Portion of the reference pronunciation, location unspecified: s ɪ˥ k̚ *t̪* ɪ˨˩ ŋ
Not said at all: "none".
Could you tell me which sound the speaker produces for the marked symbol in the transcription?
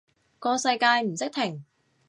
t̪ʰ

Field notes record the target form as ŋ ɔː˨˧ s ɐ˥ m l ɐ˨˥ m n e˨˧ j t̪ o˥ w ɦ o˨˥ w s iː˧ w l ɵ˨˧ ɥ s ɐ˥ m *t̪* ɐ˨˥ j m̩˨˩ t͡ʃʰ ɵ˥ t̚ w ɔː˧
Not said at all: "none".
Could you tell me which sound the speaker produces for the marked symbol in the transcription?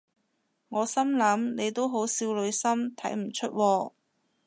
t̪ʰ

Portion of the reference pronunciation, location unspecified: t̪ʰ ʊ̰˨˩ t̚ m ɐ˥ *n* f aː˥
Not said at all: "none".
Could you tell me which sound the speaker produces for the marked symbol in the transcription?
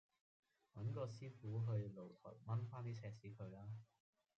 n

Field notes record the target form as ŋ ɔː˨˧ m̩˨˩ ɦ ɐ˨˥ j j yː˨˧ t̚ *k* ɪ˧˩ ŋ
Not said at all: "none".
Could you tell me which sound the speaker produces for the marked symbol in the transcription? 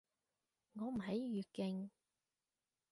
k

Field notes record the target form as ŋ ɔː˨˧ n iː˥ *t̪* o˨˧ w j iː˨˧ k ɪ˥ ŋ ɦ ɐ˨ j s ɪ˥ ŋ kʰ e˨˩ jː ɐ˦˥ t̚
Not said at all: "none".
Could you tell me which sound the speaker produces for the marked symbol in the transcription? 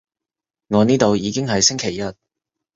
t̪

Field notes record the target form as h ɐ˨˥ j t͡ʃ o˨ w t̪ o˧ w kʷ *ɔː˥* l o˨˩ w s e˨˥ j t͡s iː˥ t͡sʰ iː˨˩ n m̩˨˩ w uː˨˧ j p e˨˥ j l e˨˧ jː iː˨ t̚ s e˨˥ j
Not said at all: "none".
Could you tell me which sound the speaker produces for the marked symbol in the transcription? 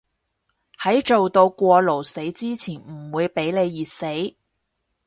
ɔː˧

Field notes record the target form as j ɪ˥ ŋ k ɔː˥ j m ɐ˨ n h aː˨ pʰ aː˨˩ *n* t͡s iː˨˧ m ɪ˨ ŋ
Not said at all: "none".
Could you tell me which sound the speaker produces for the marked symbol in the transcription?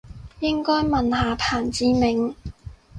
n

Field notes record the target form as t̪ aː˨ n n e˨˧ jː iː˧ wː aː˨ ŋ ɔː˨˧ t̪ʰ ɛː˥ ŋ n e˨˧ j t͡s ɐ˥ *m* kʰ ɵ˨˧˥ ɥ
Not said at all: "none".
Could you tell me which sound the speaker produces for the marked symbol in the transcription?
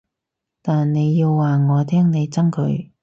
ŋ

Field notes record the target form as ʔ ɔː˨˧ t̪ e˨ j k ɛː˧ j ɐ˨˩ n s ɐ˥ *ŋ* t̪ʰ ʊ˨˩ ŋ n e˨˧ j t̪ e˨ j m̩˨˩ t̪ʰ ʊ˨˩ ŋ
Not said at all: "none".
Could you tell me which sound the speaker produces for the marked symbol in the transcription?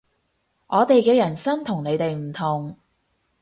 n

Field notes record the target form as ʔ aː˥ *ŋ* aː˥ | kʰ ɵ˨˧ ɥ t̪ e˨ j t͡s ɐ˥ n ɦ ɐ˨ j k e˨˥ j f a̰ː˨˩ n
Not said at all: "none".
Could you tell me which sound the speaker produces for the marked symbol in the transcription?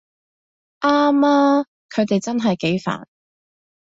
m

